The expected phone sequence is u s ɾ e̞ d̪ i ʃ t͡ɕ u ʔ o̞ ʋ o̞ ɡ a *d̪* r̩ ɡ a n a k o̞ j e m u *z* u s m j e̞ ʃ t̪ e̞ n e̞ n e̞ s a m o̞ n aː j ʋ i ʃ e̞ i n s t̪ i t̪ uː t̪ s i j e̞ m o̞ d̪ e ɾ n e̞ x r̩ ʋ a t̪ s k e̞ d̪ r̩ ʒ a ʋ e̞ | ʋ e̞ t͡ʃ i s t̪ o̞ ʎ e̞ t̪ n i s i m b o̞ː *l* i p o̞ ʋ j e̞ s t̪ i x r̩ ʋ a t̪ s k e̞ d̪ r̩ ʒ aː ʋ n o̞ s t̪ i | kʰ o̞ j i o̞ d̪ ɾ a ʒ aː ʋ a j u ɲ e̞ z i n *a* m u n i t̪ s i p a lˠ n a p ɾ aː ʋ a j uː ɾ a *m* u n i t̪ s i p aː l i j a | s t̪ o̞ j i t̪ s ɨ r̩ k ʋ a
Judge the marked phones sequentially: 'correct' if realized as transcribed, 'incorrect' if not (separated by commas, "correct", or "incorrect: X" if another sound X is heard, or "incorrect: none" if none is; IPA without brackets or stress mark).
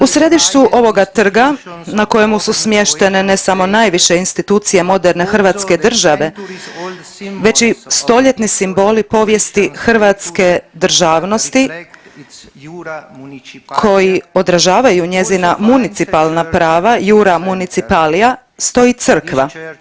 incorrect: t̪, incorrect: s, correct, correct, correct